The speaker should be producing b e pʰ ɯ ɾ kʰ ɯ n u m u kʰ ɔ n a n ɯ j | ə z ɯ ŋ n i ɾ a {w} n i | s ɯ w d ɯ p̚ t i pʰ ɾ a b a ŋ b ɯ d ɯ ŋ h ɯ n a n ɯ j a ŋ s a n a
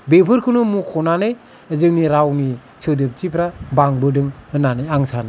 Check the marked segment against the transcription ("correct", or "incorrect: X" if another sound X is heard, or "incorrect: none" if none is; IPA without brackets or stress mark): correct